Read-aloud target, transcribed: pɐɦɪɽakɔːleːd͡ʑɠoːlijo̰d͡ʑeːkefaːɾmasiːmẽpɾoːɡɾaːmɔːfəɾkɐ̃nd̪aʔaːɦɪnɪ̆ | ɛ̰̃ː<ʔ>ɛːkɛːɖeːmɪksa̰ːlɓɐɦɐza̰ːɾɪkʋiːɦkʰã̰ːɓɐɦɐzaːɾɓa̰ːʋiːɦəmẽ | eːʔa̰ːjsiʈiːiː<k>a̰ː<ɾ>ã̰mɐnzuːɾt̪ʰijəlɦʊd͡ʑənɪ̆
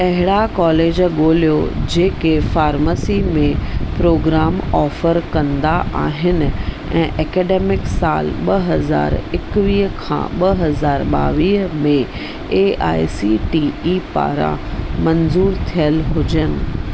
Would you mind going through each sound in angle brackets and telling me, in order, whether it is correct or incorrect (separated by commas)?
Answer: correct, incorrect, correct